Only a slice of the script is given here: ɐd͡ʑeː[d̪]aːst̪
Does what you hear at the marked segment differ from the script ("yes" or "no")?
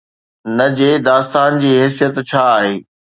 no